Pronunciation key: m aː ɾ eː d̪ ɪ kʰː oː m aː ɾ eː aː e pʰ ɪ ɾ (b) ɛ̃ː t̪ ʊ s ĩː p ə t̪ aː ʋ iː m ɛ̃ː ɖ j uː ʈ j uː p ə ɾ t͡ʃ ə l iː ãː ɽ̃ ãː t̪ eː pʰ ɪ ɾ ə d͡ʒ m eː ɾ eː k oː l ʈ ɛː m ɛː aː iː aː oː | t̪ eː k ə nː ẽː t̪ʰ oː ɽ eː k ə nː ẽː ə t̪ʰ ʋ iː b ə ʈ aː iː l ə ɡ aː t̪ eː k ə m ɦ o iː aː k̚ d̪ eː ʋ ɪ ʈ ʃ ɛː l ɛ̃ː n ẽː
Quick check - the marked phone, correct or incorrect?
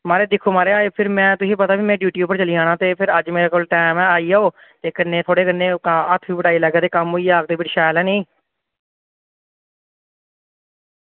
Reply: incorrect: m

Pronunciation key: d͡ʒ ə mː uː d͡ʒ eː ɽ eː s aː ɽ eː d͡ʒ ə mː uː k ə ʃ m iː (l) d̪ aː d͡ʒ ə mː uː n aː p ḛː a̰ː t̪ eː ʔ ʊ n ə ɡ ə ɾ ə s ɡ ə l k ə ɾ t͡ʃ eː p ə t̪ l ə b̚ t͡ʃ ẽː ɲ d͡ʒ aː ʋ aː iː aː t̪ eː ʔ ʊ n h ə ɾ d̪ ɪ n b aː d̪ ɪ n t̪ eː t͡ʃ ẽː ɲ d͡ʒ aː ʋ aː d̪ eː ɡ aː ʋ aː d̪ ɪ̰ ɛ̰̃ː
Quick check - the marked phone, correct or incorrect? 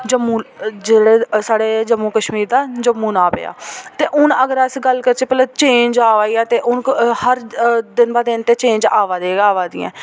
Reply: incorrect: ɾ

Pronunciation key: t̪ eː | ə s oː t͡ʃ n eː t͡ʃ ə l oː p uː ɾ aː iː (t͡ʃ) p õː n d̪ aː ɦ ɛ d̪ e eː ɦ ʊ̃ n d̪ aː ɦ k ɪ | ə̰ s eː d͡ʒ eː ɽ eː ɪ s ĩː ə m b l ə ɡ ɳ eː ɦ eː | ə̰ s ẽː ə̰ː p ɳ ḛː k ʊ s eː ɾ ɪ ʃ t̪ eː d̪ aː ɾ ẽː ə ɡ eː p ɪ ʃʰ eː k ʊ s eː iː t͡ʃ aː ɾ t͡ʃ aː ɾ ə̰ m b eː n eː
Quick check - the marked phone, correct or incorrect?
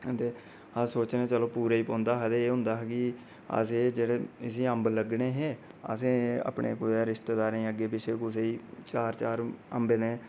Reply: incorrect: none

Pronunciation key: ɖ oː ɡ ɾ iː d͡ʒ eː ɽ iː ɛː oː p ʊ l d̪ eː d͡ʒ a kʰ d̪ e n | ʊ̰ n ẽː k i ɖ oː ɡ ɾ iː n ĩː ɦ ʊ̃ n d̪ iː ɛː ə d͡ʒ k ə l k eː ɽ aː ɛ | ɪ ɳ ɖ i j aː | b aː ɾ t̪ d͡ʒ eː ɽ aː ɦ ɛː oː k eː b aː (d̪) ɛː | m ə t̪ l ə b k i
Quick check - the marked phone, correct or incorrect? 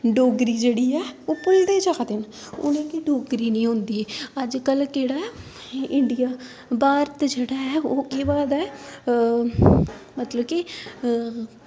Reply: correct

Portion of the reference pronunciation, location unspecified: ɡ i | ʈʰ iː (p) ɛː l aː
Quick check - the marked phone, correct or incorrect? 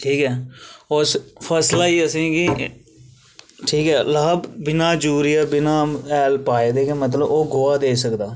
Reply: incorrect: k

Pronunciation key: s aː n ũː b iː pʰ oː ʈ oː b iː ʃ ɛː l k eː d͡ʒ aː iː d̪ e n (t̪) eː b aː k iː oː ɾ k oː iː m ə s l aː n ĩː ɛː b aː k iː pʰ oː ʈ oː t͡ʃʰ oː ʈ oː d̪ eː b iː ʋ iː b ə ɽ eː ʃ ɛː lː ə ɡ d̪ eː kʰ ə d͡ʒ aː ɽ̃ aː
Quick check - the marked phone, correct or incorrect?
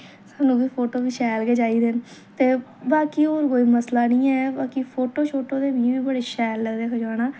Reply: correct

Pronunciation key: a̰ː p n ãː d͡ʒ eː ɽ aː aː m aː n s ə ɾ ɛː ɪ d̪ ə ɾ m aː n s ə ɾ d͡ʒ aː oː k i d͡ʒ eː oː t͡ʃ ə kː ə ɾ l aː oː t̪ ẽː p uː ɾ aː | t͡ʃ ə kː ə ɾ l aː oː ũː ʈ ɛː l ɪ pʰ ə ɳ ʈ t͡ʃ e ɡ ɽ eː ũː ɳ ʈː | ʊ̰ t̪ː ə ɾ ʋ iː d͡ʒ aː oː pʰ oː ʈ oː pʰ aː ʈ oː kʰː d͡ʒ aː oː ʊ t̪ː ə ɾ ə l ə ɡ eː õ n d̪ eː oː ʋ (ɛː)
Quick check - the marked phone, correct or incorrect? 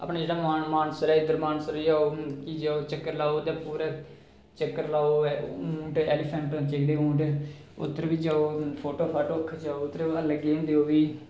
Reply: incorrect: iː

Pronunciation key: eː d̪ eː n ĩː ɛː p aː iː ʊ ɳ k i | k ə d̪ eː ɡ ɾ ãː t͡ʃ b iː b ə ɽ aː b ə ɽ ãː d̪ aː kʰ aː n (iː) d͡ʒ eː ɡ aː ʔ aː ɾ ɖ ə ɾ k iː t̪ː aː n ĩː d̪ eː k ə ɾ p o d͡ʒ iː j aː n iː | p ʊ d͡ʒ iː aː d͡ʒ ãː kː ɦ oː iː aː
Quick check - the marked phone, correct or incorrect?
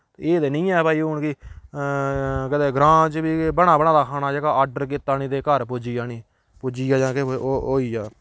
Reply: incorrect: aː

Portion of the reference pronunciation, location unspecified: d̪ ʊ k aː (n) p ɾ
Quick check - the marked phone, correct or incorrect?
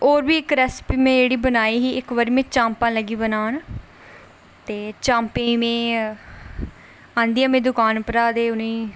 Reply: correct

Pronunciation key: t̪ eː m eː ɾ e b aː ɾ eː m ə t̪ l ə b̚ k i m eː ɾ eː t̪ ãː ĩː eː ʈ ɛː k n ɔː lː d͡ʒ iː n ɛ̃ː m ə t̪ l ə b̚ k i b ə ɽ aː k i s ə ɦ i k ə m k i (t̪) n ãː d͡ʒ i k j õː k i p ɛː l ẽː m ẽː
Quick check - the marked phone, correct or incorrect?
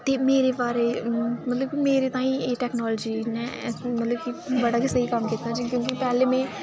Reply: correct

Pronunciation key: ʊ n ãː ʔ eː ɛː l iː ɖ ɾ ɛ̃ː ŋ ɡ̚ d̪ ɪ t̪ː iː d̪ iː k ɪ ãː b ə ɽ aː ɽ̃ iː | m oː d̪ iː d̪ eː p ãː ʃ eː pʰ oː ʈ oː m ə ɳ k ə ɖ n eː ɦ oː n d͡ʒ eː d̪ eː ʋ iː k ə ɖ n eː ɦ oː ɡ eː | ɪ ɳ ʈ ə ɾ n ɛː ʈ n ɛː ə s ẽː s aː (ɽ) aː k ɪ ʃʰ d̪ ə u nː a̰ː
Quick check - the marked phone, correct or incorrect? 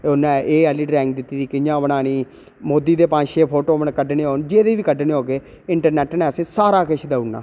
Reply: incorrect: ɾ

